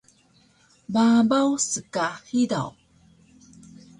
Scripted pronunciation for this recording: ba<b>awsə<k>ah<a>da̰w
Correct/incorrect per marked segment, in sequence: correct, correct, incorrect: i

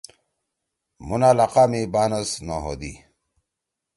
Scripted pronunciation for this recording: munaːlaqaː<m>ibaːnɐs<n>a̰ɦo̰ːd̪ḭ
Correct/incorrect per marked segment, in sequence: correct, correct

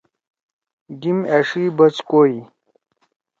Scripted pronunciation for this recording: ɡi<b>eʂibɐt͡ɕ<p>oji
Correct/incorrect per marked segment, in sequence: incorrect: m, incorrect: k

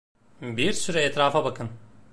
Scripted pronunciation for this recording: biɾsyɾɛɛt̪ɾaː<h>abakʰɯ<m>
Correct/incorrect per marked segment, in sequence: incorrect: f, incorrect: n

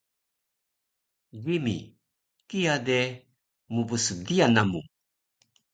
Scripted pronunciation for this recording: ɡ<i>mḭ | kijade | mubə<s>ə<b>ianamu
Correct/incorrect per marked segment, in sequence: correct, correct, incorrect: d

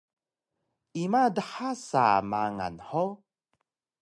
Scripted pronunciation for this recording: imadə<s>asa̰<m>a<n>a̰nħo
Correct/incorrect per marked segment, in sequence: incorrect: ħ, correct, incorrect: ŋ

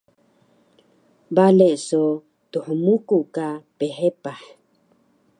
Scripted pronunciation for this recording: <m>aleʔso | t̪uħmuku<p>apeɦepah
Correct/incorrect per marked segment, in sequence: incorrect: b, incorrect: k

